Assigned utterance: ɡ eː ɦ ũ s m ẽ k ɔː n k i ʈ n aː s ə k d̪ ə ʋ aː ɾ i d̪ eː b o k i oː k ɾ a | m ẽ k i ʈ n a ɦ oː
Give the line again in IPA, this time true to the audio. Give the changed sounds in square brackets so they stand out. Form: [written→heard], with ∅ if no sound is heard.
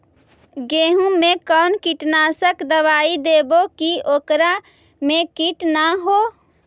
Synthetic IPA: ɡ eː ɦ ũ [s→∅] m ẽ k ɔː n k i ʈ n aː s ə k d̪ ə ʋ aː [ɾ→∅] i d̪ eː b o k i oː k ɾ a | m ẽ k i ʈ n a ɦ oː